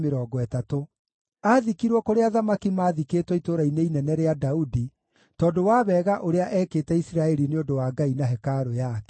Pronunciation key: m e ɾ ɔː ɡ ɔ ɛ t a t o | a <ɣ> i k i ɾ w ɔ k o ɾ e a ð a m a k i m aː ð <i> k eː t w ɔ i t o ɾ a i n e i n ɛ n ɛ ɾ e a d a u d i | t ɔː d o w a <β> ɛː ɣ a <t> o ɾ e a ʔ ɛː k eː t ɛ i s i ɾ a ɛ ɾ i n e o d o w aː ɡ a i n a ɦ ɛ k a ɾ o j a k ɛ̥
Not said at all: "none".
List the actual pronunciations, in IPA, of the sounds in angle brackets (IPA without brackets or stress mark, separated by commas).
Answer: ð, i, β, ʔ